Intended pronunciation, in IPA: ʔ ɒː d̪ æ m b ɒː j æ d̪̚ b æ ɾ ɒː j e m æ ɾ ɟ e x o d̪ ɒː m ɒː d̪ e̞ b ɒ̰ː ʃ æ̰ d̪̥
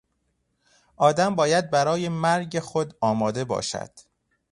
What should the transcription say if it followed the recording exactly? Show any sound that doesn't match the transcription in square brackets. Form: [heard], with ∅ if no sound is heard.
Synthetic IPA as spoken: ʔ ɒː d̪ æ m b ɒː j æ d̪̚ b æ ɾ ɒː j e m æ ɾ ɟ e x o d̪ ɒː m ɒː d̪ e̞ b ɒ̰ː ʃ æ̰ d̪̥